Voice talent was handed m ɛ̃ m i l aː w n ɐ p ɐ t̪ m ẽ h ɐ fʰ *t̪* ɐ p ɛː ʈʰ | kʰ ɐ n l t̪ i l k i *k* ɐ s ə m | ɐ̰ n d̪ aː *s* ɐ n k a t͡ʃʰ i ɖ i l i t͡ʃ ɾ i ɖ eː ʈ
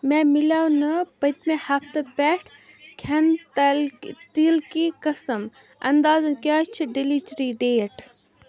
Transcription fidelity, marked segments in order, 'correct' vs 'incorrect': correct, correct, incorrect: z

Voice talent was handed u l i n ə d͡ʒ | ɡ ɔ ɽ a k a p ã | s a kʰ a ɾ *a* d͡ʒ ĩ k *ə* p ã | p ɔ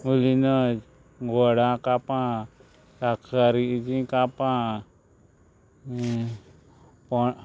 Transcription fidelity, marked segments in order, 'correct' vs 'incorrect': incorrect: i, incorrect: a

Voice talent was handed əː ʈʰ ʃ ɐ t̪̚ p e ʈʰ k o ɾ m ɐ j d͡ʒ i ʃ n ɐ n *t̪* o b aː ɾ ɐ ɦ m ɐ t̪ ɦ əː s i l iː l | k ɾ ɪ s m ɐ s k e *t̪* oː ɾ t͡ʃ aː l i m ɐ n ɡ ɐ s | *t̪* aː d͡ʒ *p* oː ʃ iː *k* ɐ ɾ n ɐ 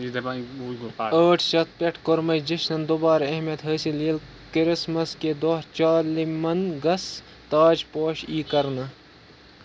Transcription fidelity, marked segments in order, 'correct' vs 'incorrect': incorrect: d̪, incorrect: d̪, correct, correct, correct

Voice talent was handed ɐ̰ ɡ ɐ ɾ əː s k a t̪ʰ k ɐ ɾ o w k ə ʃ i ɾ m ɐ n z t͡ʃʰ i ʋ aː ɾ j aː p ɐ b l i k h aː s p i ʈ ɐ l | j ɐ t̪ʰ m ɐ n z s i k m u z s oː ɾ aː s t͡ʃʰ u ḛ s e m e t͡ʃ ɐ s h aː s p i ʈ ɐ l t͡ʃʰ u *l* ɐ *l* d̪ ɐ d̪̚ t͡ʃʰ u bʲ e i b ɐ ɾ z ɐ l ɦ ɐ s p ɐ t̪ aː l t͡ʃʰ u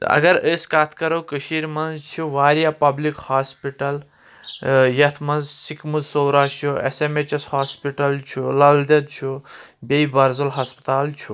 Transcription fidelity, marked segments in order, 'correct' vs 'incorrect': correct, correct

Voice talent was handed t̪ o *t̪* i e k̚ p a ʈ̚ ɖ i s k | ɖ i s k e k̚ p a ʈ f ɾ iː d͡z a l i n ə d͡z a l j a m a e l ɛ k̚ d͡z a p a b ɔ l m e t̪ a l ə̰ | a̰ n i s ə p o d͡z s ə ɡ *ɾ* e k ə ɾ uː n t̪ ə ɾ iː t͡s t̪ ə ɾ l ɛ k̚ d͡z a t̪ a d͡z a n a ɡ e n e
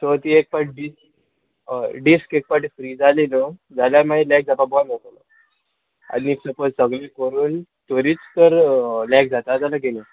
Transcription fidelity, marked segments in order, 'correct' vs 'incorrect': correct, incorrect: l

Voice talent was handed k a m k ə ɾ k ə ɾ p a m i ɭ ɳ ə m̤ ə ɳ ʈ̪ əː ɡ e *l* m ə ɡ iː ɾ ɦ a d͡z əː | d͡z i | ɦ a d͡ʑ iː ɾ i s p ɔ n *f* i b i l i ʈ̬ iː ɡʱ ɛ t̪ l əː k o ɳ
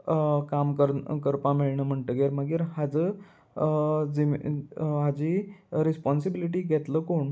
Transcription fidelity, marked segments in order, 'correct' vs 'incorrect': incorrect: ɾ, incorrect: s

